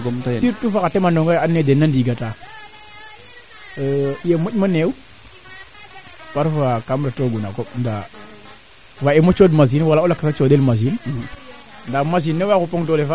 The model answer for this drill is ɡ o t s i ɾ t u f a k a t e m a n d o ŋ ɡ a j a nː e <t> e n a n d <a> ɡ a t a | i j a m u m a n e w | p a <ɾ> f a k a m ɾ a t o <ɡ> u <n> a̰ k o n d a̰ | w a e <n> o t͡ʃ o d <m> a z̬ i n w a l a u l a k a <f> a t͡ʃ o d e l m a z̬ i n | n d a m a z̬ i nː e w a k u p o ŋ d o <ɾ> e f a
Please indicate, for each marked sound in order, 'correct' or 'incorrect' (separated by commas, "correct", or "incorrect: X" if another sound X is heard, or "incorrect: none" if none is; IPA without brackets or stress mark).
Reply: incorrect: d, incorrect: i, correct, correct, correct, incorrect: m, correct, incorrect: s, incorrect: l